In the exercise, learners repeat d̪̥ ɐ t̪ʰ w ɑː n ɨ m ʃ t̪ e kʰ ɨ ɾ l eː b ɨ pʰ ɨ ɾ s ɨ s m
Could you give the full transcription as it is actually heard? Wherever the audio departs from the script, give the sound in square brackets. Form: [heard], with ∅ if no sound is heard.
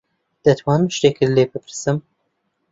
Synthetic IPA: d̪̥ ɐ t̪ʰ w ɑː n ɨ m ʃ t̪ e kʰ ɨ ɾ l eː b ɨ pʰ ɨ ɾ s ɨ [∅] m

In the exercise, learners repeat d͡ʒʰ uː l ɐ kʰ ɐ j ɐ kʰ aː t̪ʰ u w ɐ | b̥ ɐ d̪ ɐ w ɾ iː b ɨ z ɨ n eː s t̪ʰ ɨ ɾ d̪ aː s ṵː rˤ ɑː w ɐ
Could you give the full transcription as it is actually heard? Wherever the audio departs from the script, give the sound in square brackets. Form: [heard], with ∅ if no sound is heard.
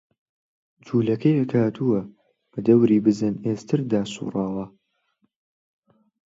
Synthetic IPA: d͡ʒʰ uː l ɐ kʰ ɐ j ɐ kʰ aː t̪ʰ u w ɐ | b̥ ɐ d̪ ɐ w ɾ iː b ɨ z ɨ n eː s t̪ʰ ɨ ɾ d̪ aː s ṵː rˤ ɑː w ɐ

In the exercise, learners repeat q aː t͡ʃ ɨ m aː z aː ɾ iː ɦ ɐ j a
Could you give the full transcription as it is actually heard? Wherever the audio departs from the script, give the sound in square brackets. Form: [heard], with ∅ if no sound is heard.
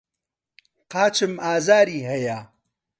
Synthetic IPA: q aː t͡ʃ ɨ m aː z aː ɾ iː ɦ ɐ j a

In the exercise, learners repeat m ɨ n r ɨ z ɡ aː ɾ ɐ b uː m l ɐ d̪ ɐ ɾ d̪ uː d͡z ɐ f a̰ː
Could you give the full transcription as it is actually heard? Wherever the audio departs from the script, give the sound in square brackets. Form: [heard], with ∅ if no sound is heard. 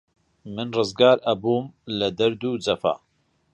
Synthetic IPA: m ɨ n r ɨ z ɡ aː ɾ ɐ b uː m l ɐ d̪ ɐ ɾ d̪ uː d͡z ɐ f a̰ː

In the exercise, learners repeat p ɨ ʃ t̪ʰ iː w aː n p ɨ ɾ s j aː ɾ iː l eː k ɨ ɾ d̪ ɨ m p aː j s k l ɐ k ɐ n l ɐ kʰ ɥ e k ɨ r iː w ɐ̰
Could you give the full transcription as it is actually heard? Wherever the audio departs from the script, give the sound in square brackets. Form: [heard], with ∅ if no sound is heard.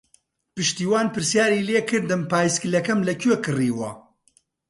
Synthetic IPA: p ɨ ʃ [t̪] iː w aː n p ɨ ɾ s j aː ɾ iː l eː k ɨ ɾ d̪ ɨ m p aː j s k l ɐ k ɐ [m] l ɐ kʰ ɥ e k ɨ r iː w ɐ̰

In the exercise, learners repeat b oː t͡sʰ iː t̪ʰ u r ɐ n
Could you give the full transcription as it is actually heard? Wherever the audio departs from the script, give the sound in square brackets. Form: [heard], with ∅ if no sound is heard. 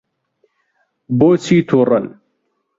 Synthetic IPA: b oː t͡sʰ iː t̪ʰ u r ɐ n

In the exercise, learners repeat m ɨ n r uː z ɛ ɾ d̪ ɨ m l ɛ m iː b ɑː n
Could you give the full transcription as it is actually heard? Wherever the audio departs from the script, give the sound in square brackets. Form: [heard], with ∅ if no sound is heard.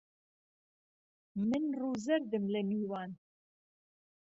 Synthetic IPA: m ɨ n r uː z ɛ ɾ d̪ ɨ m l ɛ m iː [w] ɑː n

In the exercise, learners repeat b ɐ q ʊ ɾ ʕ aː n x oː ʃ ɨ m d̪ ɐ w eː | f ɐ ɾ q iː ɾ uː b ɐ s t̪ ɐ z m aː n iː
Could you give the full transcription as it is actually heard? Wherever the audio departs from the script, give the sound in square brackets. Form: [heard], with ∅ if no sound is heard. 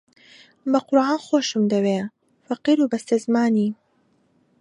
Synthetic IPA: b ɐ q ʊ ɾ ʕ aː n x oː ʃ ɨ m d̪ ɐ w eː | f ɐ [∅] q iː ɾ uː b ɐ s t̪ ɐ z m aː n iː

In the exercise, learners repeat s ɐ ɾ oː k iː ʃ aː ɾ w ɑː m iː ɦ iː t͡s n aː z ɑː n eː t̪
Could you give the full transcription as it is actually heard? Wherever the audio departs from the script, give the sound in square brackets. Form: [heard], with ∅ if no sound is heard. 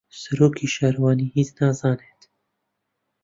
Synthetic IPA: s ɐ ɾ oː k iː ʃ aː ɾ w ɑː [n] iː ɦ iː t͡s n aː z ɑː n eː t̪

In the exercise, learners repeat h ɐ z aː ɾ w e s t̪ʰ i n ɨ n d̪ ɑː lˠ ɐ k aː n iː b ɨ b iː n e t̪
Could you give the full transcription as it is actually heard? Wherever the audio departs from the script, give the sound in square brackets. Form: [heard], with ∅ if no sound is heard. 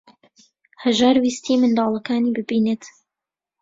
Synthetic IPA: h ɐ [ʒ] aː ɾ w [i] s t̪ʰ i [m] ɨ n d̪ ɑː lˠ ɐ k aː n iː b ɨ b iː n e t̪

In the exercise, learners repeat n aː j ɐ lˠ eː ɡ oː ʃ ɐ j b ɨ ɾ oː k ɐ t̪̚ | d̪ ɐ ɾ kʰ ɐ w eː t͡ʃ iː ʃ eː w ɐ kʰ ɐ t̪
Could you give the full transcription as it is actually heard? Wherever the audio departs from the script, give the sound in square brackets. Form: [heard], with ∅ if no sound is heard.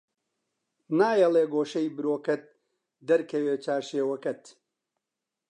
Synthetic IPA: n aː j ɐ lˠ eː ɡ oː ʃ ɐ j b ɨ ɾ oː k ɐ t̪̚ | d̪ ɐ ɾ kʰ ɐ w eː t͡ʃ [aː] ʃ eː w ɐ [k] ɐ t̪

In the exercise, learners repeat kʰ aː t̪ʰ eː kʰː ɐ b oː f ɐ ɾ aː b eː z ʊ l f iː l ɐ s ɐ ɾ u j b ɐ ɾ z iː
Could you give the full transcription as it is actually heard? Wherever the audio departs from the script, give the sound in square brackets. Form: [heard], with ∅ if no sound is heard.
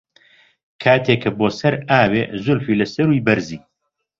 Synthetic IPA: kʰ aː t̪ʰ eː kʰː ɐ b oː [s] ɐ ɾ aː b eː z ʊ l f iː l ɐ s ɐ ɾ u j b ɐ ɾ z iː

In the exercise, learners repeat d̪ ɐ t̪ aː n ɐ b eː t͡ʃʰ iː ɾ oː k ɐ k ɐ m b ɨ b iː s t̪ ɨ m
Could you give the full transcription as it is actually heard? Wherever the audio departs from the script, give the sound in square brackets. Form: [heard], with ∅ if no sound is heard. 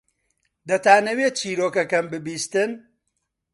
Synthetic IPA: d̪ ɐ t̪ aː n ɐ [w] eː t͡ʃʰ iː ɾ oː k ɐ k ɐ m b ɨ b iː s t̪ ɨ [n]

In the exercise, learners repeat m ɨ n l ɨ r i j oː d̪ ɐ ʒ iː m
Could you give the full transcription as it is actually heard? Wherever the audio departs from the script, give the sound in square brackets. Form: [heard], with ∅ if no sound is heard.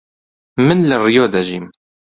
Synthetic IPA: m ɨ n l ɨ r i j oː d̪ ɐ ʒ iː m

